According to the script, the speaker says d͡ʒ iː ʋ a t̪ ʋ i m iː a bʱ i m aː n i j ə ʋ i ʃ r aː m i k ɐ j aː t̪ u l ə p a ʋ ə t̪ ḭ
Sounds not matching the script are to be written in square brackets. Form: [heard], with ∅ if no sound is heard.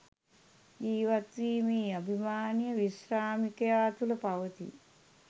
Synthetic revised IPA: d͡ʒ iː ʋ a t̪ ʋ [iː] m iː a bʱ i m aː n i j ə ʋ i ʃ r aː m i k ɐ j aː t̪ u l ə p a ʋ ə t̪ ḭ